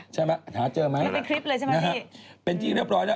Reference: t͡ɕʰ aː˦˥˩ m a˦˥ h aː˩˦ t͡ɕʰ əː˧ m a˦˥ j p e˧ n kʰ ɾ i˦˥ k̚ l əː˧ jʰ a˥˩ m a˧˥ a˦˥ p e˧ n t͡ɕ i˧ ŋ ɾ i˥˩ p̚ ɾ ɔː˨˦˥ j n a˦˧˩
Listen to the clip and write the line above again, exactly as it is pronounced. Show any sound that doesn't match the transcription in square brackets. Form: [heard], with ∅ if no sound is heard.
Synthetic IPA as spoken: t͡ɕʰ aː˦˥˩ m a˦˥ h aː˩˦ [t͡ɕ] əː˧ m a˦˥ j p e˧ n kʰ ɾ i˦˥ [p̚] l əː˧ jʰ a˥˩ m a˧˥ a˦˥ p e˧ n t͡ɕ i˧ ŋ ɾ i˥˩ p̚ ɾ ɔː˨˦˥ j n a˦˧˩